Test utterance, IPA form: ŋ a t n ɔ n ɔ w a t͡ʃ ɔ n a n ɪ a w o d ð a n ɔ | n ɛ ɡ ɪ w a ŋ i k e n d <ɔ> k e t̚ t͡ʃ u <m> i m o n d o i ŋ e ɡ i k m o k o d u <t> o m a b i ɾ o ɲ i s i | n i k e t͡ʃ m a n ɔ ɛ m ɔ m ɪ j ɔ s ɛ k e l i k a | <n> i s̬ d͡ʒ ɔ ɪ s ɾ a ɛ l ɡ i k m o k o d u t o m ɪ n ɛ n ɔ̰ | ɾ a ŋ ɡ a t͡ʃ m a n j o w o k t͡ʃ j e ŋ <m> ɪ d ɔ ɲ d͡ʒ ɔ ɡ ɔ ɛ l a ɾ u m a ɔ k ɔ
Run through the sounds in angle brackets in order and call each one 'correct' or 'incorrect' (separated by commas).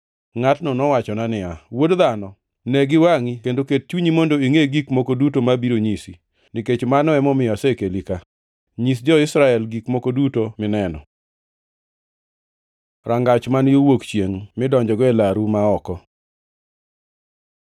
incorrect, incorrect, correct, incorrect, correct